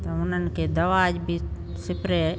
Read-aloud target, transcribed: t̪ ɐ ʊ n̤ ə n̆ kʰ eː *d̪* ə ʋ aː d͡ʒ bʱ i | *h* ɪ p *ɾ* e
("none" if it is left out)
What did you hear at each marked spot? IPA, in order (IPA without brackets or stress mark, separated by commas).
d̪, s, ɾ